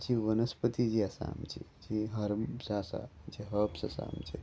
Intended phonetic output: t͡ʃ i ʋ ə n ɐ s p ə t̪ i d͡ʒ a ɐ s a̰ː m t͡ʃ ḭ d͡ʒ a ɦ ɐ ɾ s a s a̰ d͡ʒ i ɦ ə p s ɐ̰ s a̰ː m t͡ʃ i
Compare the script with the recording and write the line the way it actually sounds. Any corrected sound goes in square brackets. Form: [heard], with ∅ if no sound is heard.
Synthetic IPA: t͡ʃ i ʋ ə n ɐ s p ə t̪ i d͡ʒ [i] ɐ s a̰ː m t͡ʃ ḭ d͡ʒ [i] ɦ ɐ ɾ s a s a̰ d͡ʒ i ɦ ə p s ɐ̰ s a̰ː m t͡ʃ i